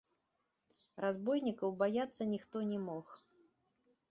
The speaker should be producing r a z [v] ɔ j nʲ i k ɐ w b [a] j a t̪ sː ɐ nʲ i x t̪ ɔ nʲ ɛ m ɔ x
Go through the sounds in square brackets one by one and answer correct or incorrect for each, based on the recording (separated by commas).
incorrect, correct